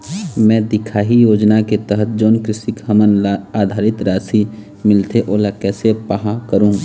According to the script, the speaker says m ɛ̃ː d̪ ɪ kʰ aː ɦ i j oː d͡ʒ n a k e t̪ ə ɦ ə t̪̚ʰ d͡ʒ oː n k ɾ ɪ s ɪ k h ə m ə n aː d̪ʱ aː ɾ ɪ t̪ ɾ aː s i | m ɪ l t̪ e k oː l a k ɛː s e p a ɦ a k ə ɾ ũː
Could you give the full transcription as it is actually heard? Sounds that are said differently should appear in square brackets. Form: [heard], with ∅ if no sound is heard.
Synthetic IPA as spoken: m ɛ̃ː d̪ ɪ kʰ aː ɦ i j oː d͡ʒ n a k e t̪ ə ɦ ə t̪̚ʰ d͡ʒ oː n k ɾ ɪ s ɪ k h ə m ə n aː d̪ʱ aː ɾ ɪ t̪ ɾ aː s i | m ɪ l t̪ e [ʔ] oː l a k ɛː s e p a ɦ a k ə ɾ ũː

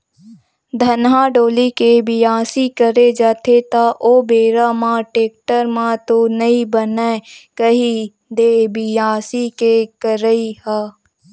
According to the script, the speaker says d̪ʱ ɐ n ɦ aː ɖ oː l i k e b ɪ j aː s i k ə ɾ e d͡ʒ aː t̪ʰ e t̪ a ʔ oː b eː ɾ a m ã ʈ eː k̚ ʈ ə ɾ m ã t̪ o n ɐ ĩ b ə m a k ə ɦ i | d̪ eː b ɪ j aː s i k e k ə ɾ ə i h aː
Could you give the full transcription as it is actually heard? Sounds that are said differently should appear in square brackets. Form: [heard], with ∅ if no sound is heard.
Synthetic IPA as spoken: d̪ʱ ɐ n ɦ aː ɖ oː l i k e b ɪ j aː s i k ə ɾ e d͡ʒ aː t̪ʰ e t̪ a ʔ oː b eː ɾ a m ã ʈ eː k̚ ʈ ə ɾ m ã t̪ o n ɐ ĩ b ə [n] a k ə ɦ i | d̪ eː b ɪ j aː s i k e k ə ɾ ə i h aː

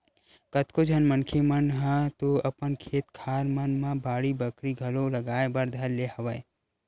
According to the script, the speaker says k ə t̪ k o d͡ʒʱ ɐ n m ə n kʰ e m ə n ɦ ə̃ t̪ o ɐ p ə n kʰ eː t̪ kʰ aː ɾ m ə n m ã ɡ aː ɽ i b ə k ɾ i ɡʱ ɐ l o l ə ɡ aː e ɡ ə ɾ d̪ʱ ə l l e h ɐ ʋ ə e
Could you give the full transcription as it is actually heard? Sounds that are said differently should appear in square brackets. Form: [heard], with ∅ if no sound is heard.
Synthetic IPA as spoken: k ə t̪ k o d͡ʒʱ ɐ n m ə n kʰ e m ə n ɦ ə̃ t̪ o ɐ p ə n kʰ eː t̪ kʰ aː ɾ m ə n m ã [b] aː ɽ i b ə k ɾ i ɡʱ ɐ l o l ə ɡ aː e [b] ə ɾ d̪ʱ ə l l e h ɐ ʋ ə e

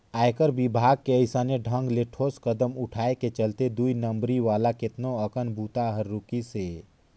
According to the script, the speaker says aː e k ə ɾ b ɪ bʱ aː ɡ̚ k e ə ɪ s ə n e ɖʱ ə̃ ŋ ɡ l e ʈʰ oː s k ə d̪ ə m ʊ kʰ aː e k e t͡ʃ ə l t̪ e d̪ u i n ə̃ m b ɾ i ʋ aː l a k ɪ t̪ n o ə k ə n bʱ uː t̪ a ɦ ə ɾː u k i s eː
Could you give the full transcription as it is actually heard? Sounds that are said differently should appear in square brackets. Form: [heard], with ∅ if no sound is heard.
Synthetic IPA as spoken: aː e k ə ɾ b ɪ bʱ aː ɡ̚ k e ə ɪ s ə n e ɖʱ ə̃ ŋ ɡ l e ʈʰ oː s k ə d̪ ə m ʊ [ʈʰ] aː e k e t͡ʃ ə l t̪ e d̪ u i n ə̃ m b ɾ i ʋ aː l a k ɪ t̪ n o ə k ə n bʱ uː t̪ a ɦ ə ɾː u k i s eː

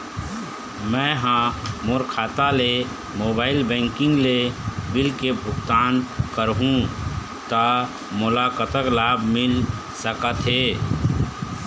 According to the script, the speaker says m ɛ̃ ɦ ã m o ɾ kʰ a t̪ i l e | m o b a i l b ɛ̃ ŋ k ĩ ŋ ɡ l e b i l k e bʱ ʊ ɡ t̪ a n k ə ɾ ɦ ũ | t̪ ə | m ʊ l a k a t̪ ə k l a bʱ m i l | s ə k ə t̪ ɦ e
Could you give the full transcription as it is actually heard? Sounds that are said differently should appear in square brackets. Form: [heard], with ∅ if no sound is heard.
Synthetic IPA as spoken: m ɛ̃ ɦ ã m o ɾ kʰ a t̪ [a] l e | m o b a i l b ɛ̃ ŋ k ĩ ŋ ɡ l e b i l k e bʱ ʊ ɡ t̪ a n k ə ɾ ɦ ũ | t̪ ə | m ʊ l a k [ə] t̪ ə k l a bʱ m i l | s ə k ə t̪ ɦ e

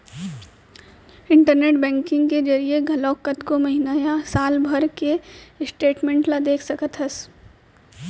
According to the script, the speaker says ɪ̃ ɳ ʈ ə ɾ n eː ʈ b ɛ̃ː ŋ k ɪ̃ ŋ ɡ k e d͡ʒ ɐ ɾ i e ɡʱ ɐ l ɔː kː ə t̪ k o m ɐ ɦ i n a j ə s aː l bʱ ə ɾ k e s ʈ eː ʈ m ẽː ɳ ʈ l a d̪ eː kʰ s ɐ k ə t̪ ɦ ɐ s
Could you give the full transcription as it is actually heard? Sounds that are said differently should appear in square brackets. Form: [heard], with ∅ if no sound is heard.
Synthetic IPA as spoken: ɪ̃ ɳ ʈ ə ɾ n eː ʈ b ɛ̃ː ŋ k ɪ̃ ŋ ɡ k e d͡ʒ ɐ ɾ i e ɡʱ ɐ l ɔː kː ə t̪ k o m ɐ ɦ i n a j [a] s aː l bʱ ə ɾ k e s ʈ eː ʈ m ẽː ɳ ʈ l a d̪ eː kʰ s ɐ k ə t̪ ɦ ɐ s

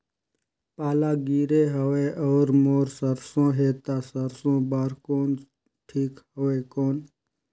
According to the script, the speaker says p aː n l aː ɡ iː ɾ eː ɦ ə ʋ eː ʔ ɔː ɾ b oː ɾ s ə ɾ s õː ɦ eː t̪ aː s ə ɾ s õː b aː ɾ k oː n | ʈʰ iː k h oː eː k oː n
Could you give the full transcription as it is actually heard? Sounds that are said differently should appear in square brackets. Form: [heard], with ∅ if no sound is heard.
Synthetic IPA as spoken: p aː [∅] l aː ɡ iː ɾ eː ɦ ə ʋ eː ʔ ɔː ɾ [m] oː ɾ s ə ɾ s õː ɦ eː t̪ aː s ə ɾ s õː b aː ɾ k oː n | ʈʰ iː k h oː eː k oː n

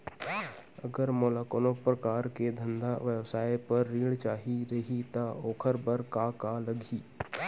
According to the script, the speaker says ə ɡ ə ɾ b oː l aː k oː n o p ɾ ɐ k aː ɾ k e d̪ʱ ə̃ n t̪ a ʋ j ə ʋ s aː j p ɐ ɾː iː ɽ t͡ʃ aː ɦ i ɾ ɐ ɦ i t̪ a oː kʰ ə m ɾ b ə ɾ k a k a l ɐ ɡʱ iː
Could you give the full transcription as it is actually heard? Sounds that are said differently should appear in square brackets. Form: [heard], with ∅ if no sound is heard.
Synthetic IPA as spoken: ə ɡ ə ɾ [m] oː l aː k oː n o p ɾ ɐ k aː ɾ k e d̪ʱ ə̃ n [d̪] a ʋ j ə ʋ s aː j p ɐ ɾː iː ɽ t͡ʃ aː ɦ i ɾ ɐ ɦ i t̪ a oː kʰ ə [∅] ɾ b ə ɾ k a k a l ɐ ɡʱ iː

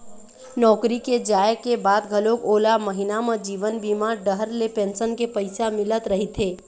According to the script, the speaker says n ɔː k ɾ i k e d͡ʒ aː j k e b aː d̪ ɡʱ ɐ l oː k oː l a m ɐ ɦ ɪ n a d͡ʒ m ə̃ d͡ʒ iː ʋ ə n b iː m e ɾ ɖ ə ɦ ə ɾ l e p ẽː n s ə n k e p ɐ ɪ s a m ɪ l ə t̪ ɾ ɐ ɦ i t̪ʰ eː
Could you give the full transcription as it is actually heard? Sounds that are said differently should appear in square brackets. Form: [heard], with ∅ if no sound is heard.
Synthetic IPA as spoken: n ɔː k ɾ i k e d͡ʒ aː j k e b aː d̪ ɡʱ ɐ l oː k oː l a m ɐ ɦ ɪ n a [∅] m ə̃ d͡ʒ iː ʋ ə n b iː m [a] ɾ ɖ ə ɦ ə ɾ l e p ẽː n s ə n k e p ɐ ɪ s a m ɪ l ə t̪ ɾ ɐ ɦ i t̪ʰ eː

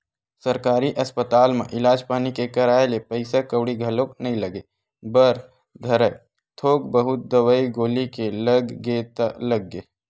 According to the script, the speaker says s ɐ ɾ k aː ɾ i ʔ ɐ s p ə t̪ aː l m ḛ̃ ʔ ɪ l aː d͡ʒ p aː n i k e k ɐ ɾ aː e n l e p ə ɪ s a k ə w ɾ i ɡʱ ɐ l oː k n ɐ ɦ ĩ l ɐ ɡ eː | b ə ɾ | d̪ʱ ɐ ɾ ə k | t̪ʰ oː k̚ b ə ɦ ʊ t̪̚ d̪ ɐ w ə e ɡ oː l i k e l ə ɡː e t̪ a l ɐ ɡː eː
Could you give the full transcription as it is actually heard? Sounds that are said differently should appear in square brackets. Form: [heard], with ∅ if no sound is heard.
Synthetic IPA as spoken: s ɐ ɾ k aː ɾ i ʔ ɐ s p ə t̪ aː l m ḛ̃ ʔ ɪ l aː d͡ʒ p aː n i k e k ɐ ɾ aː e [∅] l e p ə ɪ s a k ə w [ɽ] i ɡʱ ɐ l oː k n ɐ ɦ ĩ l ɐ ɡ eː | b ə ɾ | d̪ʱ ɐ ɾ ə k | t̪ʰ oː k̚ b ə ɦ ʊ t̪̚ d̪ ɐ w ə [i] ɡ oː l i k e l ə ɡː e t̪ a l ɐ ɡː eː

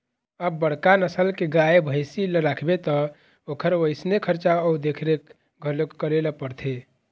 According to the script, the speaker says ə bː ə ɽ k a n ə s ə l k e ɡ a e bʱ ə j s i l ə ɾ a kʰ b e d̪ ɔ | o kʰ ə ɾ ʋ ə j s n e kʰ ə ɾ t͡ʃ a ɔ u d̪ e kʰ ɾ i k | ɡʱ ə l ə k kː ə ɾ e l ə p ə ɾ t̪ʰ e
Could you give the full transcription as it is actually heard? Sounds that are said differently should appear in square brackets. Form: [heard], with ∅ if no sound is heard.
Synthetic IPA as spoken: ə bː ə ɽ k a n ə s ə l k e ɡ a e bʱ ə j s i l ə ɾ a kʰ b e [t̪] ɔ | o kʰ ə ɾ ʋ ə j s n e kʰ ə ɾ t͡ʃ a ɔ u d̪ e kʰ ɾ [e] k | ɡʱ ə l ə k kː ə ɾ e l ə p ə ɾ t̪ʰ e

